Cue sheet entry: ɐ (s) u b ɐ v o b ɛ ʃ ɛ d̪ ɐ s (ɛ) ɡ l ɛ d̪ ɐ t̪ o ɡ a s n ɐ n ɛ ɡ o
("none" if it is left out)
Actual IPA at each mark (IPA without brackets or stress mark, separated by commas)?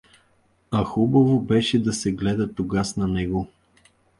x, ɛ